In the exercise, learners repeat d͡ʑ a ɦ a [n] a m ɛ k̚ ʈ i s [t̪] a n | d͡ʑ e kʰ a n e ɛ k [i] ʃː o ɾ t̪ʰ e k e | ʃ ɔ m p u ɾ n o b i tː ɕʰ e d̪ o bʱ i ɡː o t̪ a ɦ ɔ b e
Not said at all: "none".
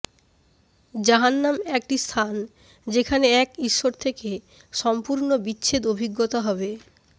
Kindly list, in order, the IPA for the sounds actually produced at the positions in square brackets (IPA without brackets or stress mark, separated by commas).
nː, t̪ʰ, i